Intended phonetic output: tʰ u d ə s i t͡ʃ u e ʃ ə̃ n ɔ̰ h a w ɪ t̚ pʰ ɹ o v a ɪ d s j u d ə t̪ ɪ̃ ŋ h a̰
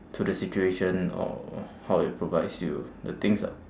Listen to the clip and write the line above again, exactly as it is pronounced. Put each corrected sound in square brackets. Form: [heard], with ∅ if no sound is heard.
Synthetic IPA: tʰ u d ə s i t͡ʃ u e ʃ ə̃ n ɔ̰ h a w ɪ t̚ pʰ ɹ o v a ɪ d s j u d ə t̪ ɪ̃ ŋ [s] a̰